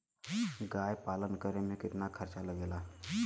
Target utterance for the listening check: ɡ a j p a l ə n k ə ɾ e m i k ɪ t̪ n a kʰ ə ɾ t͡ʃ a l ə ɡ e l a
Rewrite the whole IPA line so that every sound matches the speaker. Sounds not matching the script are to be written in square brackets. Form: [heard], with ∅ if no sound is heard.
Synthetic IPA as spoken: ɡ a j p a l ə n k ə ɾ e m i k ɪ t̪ n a kʰ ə ɾ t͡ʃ a l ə ɡ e l a